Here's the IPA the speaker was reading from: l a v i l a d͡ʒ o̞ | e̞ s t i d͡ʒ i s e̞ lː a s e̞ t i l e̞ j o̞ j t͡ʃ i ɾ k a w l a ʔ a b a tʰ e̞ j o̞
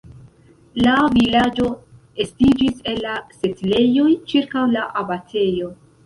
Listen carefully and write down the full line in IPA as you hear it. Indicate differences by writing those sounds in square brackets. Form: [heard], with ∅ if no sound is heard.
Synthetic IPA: l a v i l a d͡ʒ o̞ | e̞ s t i d͡ʒ i s e̞ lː a s e̞ t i l e̞ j o̞ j t͡ʃ i ɾ k a w l a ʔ a b a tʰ e̞ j o̞